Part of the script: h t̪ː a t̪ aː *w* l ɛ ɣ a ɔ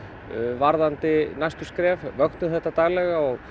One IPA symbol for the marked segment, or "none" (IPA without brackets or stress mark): ɣ